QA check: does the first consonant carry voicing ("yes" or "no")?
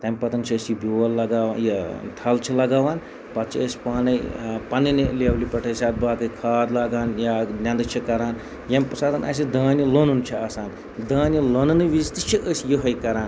no